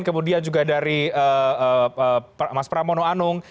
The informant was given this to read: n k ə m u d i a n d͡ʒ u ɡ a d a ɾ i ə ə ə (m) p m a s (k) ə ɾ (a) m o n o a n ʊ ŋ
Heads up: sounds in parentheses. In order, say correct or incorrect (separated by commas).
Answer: incorrect, incorrect, correct